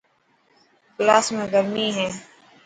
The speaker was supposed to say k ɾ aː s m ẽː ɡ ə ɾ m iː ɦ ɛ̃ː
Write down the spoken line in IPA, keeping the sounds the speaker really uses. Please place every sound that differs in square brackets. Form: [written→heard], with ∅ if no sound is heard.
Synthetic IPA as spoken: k [ɾ→l] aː s m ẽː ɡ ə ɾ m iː ɦ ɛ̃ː